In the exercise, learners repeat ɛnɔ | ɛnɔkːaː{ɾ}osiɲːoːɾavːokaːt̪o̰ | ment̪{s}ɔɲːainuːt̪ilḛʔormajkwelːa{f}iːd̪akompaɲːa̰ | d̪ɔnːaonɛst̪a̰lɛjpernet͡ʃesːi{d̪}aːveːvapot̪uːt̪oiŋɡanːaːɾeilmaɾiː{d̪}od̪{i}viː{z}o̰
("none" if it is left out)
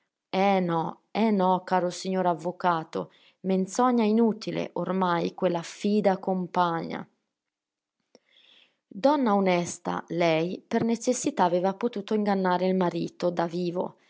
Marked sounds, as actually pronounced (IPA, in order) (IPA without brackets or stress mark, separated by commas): ɾ, s, f, t̪, t̪, a, v